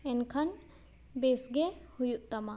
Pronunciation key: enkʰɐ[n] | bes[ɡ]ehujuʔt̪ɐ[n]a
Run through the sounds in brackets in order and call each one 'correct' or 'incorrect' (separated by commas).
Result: correct, correct, incorrect